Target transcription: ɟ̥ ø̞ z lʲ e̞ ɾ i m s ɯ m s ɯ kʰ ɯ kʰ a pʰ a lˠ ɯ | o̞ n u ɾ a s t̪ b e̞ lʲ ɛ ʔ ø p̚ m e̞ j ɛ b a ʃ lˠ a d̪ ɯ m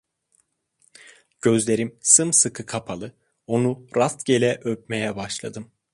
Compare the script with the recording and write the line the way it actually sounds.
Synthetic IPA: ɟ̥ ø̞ z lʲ e̞ ɾ i m s ɯ m s ɯ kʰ ɯ kʰ a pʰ a lˠ ɯ | o̞ n u ɾ a s t̪ ɟ e̞ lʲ ɛ ʔ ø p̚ m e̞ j ɛ b a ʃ lˠ a d̪ ɯ m

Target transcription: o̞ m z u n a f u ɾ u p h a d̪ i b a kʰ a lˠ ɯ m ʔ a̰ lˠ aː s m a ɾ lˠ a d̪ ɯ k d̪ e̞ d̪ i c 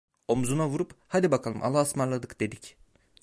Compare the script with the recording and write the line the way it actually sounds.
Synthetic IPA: o̞ m z u n a v u ɾ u p h a d̪ i b a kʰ a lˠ ɯ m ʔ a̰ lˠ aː s m a ɾ lˠ a d̪ ɯ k d̪ e̞ d̪ i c

